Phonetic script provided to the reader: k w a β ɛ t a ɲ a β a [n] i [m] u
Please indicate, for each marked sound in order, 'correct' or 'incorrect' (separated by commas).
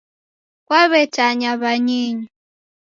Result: incorrect, incorrect